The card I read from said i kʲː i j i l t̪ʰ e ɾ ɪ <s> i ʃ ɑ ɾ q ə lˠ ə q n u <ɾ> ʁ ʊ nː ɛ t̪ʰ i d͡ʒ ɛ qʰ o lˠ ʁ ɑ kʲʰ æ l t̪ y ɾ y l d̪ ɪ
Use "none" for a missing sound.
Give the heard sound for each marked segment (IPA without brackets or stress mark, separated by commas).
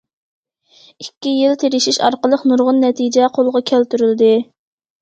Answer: ʃ, ɾ